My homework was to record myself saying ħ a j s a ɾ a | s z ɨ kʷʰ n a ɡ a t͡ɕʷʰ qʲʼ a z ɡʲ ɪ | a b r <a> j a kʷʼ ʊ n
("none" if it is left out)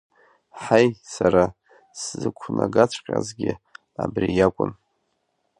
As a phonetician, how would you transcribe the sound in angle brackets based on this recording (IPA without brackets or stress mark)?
i